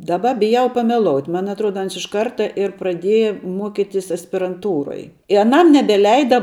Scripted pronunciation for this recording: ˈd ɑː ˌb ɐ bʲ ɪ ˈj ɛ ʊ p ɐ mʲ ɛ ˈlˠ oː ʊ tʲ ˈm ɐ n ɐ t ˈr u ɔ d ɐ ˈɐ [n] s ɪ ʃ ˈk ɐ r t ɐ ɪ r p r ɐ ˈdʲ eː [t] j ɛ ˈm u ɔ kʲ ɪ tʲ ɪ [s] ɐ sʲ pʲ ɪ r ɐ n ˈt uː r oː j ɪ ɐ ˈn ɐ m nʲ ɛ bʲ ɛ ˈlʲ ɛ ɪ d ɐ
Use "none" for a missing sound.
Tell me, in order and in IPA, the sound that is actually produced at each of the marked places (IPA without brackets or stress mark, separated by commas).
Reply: n, none, s